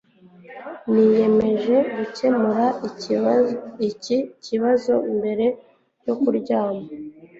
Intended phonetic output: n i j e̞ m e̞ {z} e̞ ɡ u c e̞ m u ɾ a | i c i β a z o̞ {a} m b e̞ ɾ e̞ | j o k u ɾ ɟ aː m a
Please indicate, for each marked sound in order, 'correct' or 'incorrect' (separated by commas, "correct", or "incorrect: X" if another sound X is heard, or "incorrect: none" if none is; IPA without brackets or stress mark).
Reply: incorrect: ʒ, incorrect: i